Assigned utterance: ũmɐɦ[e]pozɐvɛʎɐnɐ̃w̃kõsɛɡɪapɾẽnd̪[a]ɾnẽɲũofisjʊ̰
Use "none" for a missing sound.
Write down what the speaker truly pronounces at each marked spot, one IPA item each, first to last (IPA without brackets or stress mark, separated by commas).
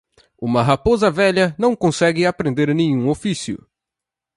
a, e